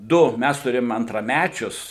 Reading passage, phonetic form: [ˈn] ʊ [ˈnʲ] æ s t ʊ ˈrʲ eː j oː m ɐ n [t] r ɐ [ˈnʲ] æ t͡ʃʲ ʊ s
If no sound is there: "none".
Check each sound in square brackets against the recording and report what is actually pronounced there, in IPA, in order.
d, mʲ, t, mʲ

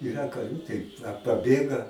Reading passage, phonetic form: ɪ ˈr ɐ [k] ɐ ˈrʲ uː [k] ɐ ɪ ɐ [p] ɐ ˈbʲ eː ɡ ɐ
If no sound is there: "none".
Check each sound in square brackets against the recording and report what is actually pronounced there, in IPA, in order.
k, t, p

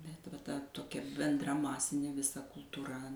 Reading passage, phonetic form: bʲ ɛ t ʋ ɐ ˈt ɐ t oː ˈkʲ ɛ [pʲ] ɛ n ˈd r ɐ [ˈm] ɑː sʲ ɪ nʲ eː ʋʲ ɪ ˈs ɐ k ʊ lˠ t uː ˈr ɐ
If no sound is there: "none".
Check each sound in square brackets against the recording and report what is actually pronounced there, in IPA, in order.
bʲ, m

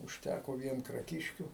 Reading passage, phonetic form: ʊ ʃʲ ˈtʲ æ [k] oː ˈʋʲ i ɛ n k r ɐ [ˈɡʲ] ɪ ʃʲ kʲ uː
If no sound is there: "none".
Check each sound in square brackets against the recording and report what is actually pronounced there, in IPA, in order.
k, kʲ

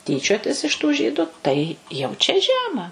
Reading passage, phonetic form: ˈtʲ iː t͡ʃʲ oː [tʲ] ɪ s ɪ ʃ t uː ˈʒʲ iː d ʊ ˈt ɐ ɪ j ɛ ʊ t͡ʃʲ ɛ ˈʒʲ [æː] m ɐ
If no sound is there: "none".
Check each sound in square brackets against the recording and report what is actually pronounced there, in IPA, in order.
tʲ, æː

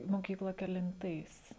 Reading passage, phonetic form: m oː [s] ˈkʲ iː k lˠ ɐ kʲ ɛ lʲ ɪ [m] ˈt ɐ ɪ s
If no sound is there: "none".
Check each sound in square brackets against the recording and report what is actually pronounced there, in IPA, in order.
none, n

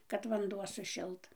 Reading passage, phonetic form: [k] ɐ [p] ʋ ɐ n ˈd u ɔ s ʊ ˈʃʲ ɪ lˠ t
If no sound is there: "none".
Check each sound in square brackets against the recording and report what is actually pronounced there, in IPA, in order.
k, t

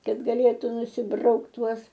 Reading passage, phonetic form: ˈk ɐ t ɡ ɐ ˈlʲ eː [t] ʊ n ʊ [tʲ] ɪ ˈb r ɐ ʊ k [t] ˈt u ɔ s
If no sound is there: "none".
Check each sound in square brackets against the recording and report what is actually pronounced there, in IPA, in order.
t, sʲ, t

